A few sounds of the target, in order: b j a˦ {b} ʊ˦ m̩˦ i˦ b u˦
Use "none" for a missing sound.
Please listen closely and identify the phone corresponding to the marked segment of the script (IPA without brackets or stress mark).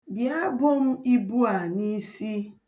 b